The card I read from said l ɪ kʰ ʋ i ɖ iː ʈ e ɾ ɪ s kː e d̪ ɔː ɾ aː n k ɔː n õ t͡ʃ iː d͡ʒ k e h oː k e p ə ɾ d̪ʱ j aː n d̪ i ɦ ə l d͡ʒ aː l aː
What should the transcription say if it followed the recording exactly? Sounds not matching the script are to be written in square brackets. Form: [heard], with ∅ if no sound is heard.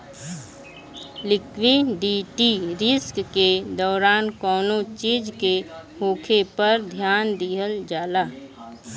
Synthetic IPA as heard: l ɪ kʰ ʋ i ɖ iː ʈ [i] ɾ ɪ s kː e d̪ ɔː ɾ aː n k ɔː n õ t͡ʃ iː d͡ʒ k e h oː [kʰ] e p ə ɾ d̪ʱ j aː n d̪ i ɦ ə l d͡ʒ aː l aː